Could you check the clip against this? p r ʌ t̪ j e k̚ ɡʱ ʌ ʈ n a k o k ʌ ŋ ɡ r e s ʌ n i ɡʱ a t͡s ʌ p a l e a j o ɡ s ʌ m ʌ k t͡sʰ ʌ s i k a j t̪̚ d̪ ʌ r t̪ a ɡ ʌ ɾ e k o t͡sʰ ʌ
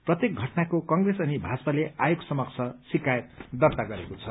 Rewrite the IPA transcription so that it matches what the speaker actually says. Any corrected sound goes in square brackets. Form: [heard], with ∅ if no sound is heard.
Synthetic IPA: p r ʌ t̪ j e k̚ ɡʱ ʌ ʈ n a k o k ʌ ŋ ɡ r e s ʌ n i [bʱ] a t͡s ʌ p a l e a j o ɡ s ʌ m ʌ k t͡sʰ ʌ s i k a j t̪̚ d̪ ʌ r t̪ a ɡ ʌ ɾ e k o t͡sʰ ʌ